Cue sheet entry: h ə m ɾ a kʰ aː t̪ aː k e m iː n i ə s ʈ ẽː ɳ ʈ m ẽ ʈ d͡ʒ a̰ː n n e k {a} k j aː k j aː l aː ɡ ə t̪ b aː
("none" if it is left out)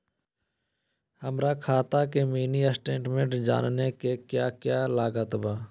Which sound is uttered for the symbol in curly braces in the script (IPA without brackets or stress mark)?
e